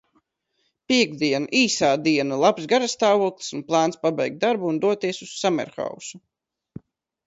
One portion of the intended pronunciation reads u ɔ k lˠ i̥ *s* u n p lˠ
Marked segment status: correct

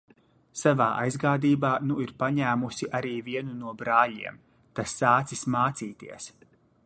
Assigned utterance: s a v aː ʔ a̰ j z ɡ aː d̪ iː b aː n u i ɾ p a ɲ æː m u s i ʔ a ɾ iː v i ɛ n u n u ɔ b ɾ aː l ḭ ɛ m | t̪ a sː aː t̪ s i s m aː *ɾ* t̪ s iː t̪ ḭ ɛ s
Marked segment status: incorrect: none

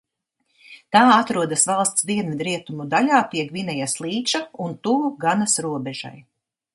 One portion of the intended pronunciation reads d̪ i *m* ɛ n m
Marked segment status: incorrect: none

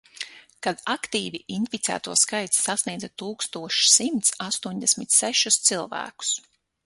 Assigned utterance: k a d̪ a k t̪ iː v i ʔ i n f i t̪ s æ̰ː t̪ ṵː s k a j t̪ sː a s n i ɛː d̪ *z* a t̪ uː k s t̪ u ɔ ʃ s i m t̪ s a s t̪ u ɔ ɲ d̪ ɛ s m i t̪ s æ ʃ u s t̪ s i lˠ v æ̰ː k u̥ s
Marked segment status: correct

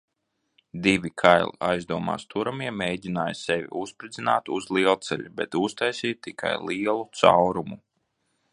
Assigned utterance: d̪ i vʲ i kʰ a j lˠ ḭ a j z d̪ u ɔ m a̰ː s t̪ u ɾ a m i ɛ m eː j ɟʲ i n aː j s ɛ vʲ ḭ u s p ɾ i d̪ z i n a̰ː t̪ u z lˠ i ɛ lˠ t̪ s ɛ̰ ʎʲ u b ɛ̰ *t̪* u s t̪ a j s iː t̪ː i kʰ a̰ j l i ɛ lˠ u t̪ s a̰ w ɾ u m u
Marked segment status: correct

